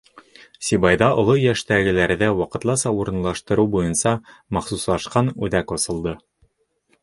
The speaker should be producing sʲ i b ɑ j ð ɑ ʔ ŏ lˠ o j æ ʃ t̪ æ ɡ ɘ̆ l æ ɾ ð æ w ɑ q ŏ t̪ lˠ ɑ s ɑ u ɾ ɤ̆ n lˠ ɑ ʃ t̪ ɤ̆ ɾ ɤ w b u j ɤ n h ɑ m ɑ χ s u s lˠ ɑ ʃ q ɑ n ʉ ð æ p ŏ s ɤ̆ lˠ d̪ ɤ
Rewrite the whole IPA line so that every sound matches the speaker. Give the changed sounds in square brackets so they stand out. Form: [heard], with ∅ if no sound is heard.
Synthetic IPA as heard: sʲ i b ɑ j ð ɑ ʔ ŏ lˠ o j æ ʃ t̪ æ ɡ ɘ̆ l æ ɾ ð æ w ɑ q [ɤ̆] t̪ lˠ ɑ s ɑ u ɾ ɤ̆ n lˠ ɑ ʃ t̪ ɤ̆ ɾ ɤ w b u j ɤ n [s] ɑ m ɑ χ s u s lˠ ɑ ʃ q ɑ n ʉ ð æ [k] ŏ s ɤ̆ lˠ d̪ ɤ